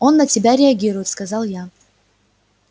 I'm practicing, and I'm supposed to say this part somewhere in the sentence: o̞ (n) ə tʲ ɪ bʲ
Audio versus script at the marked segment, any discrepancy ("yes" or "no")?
yes